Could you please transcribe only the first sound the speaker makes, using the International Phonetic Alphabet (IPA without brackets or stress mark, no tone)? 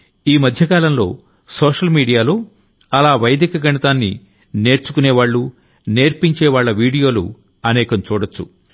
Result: iː